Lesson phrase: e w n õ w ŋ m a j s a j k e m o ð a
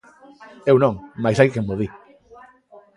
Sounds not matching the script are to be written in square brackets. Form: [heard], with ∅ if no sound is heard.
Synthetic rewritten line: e w n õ [∅] ŋ m a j s a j k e m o ð [i]